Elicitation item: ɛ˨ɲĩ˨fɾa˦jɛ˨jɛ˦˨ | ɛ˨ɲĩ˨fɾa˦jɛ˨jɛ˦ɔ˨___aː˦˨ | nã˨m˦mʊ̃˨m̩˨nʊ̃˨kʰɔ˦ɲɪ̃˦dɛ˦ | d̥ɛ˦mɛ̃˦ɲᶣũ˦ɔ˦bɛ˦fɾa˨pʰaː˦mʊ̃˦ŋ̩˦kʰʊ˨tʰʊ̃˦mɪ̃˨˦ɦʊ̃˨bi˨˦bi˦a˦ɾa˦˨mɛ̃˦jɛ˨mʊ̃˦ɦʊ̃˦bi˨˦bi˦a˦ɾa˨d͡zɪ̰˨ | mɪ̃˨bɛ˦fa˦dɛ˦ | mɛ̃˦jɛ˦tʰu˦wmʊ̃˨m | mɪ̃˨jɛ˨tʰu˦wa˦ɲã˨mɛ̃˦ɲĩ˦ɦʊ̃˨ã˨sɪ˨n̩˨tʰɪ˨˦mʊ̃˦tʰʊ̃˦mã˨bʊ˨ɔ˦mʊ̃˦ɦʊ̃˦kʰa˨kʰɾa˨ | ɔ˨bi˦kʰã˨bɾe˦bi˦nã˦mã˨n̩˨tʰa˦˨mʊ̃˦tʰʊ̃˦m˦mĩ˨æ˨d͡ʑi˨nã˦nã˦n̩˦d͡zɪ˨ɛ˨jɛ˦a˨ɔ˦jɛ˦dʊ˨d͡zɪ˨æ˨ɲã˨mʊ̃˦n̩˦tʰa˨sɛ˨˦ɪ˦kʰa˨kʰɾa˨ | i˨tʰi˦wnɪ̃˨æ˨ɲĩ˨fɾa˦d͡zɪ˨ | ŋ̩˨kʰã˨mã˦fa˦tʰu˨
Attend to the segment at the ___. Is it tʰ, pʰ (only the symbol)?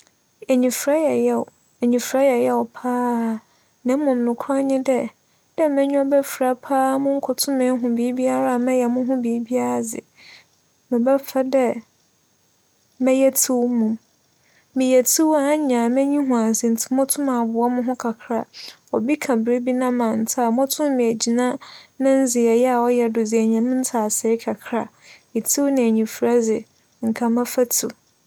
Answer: pʰ